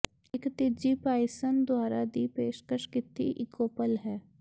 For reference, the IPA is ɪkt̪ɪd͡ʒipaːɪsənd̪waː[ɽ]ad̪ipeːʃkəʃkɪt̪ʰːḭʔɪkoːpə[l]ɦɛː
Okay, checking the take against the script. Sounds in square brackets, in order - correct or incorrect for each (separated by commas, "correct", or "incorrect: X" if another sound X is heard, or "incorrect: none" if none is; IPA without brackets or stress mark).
incorrect: ɾ, correct